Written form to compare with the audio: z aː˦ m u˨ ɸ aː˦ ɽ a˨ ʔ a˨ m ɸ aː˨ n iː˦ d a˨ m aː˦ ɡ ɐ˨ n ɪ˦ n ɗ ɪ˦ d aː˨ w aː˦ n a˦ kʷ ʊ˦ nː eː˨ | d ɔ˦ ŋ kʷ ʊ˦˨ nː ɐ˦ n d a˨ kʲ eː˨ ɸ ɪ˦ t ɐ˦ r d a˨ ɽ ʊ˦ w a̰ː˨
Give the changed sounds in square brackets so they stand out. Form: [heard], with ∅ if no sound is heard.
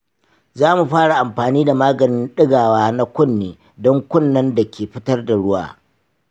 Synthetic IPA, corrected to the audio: z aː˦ m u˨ ɸ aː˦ ɽ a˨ ʔ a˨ m ɸ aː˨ n iː˦ d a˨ m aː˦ ɡ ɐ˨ n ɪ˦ n ɗ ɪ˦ [ɡ] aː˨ w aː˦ n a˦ kʷ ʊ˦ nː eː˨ | d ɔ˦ ŋ kʷ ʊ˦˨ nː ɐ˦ n d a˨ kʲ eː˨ ɸ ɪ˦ t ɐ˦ r d a˨ ɽ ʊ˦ w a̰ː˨